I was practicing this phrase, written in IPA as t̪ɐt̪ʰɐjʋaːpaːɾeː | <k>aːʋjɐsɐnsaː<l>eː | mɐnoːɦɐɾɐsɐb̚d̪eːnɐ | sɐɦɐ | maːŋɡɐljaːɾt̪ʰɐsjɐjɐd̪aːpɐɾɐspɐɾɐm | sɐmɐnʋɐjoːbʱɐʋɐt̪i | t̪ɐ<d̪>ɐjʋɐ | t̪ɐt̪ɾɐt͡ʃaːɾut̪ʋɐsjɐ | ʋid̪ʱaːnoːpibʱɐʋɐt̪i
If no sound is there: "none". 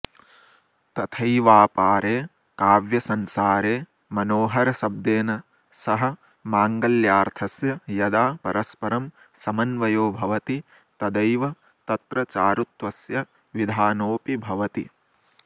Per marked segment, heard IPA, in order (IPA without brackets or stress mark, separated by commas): k, ɾ, d̪